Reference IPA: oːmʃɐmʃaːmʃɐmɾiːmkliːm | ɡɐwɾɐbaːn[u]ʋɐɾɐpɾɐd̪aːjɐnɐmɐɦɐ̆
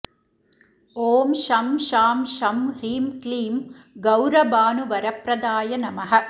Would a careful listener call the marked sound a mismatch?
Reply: no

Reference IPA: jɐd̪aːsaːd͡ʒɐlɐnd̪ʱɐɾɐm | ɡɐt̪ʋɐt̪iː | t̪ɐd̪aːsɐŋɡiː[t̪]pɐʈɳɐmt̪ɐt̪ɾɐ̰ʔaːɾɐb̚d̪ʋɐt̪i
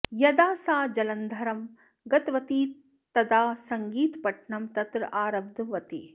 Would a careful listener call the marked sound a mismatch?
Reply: no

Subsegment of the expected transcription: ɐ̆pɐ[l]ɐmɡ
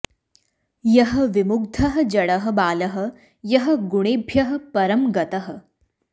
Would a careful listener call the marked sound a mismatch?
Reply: yes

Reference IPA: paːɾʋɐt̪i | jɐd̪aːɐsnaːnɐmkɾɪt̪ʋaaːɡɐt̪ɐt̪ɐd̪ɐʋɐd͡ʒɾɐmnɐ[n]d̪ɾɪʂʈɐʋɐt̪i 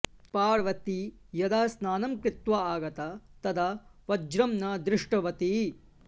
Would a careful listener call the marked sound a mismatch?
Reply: yes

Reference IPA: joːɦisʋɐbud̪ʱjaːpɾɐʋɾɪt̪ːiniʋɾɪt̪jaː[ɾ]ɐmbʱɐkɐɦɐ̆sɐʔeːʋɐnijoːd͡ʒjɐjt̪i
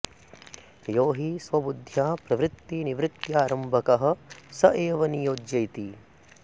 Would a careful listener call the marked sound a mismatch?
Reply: no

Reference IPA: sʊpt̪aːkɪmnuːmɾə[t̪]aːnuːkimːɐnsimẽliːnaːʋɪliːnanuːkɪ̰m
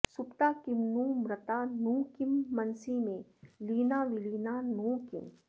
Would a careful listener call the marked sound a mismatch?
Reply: no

